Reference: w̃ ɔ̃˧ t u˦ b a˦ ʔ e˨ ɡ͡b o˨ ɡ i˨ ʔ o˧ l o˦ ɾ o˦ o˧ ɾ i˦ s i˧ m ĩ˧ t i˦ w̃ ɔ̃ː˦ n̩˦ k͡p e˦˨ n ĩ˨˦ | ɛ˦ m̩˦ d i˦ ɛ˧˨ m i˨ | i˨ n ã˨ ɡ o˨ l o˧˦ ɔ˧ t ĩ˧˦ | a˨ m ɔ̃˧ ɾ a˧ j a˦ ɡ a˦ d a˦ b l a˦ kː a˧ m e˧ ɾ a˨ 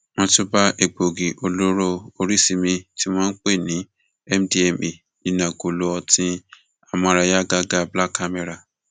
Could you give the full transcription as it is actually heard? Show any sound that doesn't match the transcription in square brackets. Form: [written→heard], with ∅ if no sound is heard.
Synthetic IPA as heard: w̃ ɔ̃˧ t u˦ b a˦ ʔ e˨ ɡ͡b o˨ ɡ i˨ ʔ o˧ l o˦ ɾ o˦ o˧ ɾ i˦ s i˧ m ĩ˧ t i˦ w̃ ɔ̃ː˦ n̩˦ k͡p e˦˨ n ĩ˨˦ | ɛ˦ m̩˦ d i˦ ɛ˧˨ m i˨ | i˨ n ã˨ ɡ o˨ l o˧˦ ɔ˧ t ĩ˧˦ | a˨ m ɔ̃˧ ɾ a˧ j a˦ ɡ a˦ [d→ɡ] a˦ b l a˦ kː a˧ m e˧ ɾ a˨